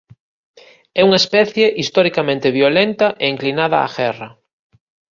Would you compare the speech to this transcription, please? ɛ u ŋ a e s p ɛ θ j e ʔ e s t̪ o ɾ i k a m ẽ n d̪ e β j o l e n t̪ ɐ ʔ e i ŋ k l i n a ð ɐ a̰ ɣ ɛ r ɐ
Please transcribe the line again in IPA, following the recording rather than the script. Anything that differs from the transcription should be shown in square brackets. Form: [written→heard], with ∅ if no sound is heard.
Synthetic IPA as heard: ɛ u ŋ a e s p ɛ θ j e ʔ [e→i] s t̪ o ɾ i k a m ẽ n [d̪→t̪] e β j o l e n t̪ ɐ ʔ e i ŋ k l i n a ð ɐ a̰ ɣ ɛ r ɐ